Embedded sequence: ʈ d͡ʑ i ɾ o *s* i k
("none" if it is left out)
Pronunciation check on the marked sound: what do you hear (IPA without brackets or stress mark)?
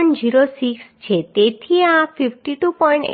s